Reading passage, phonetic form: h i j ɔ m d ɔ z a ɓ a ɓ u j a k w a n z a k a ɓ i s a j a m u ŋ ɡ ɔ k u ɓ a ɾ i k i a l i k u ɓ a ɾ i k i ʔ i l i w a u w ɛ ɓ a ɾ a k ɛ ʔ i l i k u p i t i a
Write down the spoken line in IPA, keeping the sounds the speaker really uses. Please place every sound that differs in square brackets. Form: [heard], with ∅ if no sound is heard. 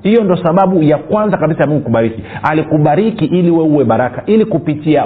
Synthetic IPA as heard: h i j ɔ [n] d ɔ [s] a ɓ a ɓ u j a k w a n z a k a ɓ i s a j a m u ŋ ɡ [u] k u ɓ a ɾ i k i a l i k u ɓ a ɾ i k i ʔ i l i w [ɛ] u w ɛ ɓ a ɾ a k [a] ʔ i l i k u p i t i a